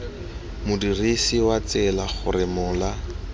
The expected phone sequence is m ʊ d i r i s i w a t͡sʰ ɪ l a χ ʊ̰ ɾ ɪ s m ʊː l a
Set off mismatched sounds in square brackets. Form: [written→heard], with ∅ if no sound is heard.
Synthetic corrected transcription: m ʊ d i r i s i w a [t͡sʰ→t͡s] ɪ l a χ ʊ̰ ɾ ɪ [s→∅] m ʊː l a